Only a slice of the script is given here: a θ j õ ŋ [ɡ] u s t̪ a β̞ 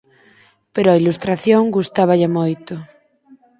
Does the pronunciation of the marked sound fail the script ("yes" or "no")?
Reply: no